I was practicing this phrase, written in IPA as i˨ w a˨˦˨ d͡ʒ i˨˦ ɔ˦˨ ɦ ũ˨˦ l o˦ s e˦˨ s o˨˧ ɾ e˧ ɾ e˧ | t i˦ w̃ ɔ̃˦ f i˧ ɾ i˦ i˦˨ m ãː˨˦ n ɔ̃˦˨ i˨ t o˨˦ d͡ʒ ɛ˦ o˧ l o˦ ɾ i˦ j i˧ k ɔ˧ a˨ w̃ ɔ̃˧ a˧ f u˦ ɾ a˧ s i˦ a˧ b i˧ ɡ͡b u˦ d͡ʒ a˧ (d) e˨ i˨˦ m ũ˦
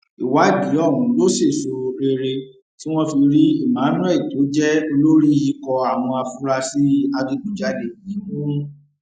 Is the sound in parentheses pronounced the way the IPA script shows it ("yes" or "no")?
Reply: yes